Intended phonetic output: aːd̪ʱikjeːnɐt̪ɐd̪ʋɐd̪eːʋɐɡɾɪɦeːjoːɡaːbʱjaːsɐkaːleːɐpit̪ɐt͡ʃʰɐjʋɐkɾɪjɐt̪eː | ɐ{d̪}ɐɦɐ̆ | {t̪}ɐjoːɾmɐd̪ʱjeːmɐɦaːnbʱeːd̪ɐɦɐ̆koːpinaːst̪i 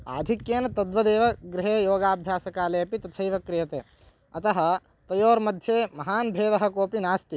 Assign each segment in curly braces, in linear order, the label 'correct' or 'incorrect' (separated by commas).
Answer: incorrect, correct